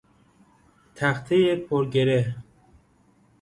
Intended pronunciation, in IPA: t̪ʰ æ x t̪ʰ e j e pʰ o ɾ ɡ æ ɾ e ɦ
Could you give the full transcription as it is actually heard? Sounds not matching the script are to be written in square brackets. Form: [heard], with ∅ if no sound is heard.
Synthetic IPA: t̪ʰ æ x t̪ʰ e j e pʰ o ɾ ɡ [e] ɾ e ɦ